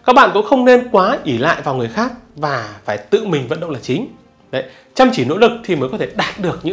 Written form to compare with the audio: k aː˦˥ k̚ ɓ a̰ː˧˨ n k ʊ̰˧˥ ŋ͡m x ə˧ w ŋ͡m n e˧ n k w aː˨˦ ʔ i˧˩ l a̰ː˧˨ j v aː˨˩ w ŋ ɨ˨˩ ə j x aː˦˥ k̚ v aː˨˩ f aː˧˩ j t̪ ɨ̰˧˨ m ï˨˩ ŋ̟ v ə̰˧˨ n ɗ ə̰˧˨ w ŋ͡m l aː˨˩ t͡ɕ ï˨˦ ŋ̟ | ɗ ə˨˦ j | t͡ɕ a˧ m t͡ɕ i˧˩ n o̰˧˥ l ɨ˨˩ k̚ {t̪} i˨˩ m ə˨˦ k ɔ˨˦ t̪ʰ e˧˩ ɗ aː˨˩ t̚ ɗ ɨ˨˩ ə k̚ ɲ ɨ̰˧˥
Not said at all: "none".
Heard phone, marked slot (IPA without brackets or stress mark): t̪ʰ